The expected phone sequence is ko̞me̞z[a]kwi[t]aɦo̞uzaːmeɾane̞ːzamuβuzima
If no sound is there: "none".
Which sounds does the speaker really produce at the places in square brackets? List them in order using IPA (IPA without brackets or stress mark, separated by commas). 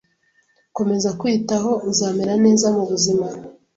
a, t